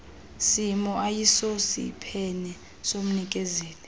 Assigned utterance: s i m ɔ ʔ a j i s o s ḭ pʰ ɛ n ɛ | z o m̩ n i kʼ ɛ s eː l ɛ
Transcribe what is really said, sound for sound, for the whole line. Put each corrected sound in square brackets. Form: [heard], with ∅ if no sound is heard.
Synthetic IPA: s i m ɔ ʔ a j i s o s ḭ pʰ ɛ n ɛ | [s] o m̩ n i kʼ ɛ [z] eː l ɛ

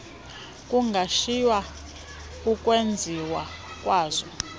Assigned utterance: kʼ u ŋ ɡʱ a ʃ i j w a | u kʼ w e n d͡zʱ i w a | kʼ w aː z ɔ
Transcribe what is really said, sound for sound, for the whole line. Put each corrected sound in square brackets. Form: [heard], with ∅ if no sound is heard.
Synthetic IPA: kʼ u ŋ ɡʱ a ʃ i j w a | u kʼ w e n d͡zʱ i w a | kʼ w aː z ɔ

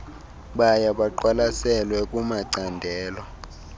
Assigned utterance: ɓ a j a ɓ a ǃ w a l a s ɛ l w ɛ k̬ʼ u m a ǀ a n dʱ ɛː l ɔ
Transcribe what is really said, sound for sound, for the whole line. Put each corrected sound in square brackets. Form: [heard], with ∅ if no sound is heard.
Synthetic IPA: ɓ a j a ɓ a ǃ w a l a s ɛ l w ɛ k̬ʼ u m a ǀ a n dʱ ɛː l ɔ

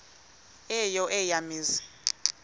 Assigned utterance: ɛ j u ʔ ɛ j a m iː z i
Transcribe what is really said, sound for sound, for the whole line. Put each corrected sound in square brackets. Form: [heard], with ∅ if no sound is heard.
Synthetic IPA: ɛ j [ɔ] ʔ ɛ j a m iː z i

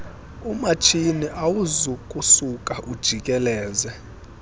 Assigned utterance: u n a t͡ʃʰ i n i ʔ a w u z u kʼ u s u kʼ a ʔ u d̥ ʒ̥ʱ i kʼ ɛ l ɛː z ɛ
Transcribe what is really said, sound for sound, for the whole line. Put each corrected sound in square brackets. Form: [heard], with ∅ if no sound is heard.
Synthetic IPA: u [m] a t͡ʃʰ i n i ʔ a w u z u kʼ u s u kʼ a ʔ u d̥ ʒ̥ʱ i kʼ ɛ l ɛː z ɛ

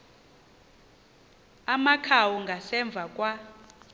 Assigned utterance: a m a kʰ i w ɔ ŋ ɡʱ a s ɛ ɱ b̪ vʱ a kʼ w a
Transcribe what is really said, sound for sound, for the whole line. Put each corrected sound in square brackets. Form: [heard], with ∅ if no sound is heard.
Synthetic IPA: a m a kʰ [a] w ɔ ŋ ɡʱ a s ɛ ɱ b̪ vʱ a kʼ w a

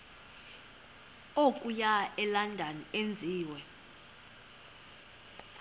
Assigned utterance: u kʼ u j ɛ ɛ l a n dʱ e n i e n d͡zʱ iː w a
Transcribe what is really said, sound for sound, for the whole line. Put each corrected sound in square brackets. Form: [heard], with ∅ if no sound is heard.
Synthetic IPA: [o] kʼ u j [a] ɛ l a n dʱ [a] n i e n d͡zʱ iː w [ɛ]

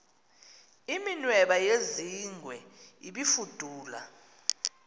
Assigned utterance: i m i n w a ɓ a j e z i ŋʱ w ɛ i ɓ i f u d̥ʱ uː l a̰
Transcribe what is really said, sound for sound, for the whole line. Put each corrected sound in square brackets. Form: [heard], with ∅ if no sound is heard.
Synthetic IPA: i m i n w [ɛ] ɓ a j e z i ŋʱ w ɛ i ɓ i f u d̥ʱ uː l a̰

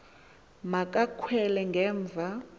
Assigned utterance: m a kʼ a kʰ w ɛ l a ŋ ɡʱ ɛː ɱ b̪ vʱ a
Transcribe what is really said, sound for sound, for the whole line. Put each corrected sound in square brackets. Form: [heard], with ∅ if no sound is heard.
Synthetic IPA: m a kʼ a kʰ w ɛ l [ɛ] ŋ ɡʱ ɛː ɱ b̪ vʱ a

